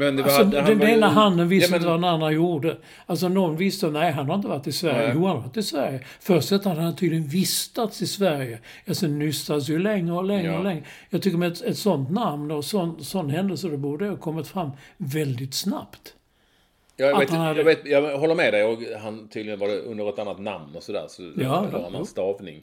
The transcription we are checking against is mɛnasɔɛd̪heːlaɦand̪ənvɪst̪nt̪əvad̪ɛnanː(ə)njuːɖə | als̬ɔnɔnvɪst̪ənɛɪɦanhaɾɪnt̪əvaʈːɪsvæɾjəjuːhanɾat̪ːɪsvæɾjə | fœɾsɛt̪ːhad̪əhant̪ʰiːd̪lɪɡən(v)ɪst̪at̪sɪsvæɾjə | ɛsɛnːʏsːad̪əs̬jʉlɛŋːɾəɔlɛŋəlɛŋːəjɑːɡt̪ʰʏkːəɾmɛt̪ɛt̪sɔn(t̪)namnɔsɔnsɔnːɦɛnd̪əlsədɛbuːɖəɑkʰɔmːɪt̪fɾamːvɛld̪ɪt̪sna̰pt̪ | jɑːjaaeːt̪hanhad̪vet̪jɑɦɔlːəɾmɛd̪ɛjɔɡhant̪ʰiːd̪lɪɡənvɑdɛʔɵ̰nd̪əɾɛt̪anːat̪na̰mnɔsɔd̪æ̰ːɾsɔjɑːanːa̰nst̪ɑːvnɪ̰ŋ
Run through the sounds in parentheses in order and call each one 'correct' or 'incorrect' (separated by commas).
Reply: incorrect, correct, correct